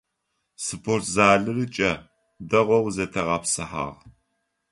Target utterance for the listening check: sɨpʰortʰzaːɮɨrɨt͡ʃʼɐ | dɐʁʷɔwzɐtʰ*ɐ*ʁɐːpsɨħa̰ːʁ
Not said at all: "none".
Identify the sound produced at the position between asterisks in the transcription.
ɐ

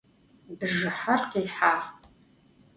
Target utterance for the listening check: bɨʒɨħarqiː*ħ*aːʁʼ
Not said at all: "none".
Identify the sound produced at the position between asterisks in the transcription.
ħ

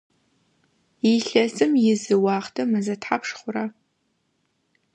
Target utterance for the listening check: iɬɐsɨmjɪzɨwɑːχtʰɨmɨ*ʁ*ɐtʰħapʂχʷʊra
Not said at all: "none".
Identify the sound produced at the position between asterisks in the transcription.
z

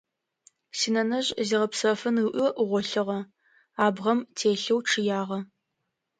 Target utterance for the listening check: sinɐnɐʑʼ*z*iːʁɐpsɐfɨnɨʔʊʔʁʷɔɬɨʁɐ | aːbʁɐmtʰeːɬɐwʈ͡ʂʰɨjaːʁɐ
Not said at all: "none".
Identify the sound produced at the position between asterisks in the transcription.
z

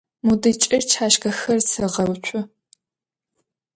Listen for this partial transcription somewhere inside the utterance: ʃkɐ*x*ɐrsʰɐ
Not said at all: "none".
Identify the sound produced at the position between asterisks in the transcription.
x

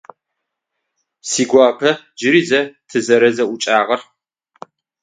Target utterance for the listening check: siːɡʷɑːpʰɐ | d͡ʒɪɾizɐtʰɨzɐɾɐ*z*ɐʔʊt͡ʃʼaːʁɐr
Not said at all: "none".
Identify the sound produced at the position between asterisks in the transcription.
z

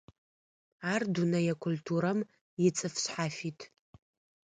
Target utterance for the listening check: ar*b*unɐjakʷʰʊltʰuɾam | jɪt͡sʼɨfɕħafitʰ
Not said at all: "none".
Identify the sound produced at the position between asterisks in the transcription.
d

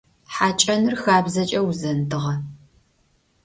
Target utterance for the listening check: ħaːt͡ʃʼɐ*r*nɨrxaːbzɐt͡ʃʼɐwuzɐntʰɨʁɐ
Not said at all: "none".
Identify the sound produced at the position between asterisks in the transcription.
none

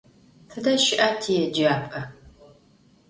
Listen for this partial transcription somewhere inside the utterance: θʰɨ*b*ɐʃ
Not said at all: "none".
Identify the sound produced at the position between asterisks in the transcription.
d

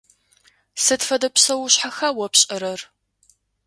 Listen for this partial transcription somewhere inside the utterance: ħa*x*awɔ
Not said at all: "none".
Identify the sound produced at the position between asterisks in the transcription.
x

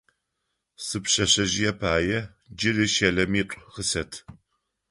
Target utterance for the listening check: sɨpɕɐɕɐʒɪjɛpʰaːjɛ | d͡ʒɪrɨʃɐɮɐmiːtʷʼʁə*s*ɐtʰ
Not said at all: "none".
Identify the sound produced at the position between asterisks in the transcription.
s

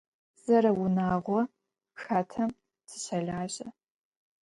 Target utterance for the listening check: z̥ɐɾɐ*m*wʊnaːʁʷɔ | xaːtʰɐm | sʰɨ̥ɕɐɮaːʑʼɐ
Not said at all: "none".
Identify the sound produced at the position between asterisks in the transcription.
none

